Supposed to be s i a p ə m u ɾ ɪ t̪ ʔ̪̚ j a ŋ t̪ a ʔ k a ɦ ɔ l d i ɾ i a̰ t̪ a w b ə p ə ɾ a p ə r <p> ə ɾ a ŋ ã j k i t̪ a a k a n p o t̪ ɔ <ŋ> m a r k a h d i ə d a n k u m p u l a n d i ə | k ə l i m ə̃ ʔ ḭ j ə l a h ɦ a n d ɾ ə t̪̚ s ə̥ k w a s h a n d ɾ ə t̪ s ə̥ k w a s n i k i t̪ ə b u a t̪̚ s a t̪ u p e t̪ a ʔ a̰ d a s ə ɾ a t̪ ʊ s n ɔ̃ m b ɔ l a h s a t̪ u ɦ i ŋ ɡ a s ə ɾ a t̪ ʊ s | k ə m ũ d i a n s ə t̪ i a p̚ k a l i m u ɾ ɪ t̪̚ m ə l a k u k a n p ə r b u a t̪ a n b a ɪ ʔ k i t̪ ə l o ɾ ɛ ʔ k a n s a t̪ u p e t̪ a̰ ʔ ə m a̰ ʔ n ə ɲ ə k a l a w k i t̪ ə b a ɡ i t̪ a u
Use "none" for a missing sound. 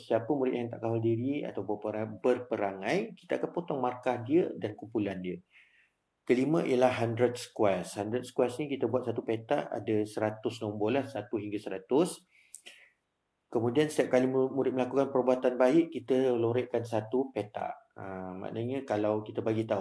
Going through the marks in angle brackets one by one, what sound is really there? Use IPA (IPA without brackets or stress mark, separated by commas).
p, ŋ